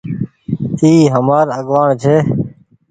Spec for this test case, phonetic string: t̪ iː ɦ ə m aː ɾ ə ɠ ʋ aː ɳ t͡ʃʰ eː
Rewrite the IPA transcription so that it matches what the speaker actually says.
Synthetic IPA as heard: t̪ iː ɦ ə m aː ɾ ə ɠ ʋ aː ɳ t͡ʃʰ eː